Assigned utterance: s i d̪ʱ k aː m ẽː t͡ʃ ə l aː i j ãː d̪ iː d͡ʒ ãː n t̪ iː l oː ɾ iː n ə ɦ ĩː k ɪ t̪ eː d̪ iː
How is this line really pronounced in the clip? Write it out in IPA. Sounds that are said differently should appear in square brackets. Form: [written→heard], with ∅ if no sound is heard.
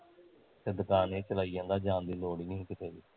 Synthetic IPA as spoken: s [i→ɪ] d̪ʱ k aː [m→n] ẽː t͡ʃ ə l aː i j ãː d̪ [iː→aː] d͡ʒ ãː n [t̪→d̪] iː l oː [ɾ→ɽ] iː n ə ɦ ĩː k ɪ t̪ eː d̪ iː